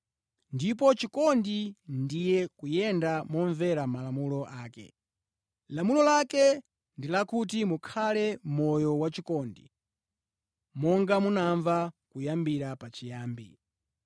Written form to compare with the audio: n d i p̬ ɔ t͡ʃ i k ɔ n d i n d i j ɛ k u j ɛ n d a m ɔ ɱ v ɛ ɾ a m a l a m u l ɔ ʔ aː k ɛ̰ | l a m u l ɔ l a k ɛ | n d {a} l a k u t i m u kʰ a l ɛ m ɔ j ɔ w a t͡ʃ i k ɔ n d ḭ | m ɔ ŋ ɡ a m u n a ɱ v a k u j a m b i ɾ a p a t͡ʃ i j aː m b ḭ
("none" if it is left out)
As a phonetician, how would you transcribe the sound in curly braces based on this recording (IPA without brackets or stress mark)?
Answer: i